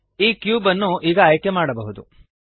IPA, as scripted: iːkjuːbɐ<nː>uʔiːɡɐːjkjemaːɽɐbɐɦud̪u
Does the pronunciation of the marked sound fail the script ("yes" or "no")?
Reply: no